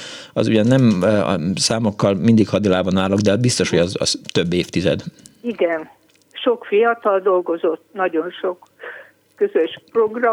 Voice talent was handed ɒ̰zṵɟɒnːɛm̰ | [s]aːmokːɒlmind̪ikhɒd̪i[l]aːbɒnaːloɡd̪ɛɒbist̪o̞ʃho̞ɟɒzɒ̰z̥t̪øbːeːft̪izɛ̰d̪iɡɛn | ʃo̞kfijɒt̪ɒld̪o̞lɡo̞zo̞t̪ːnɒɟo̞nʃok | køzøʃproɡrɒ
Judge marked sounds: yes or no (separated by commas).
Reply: yes, yes